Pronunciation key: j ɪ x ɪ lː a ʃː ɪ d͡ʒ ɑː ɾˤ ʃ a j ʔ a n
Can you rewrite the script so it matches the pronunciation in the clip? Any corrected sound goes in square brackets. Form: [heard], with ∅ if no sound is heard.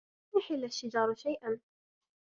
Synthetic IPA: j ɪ [ħ] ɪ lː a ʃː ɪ d͡ʒ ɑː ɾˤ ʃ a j ʔ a n